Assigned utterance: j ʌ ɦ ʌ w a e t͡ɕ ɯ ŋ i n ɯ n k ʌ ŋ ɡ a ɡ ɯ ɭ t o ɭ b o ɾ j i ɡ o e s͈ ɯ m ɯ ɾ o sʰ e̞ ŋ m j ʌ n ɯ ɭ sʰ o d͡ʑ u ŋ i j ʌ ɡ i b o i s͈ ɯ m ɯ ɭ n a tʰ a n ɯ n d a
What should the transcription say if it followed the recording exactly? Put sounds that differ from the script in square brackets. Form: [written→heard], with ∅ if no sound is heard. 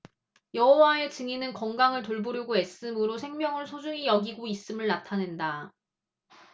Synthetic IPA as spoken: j ʌ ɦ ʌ w a e t͡ɕ ɯ ŋ i n ɯ n k ʌ ŋ ɡ a [ɡ→ŋ] ɯ ɭ t o ɭ b o ɾ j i ɡ o e s͈ ɯ m ɯ ɾ o sʰ e̞ ŋ m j ʌ [n→ŋ] ɯ ɭ sʰ o d͡ʑ u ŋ i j ʌ ɡ i [b→ɡ] o i s͈ ɯ m ɯ ɭ n a tʰ a n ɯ n d a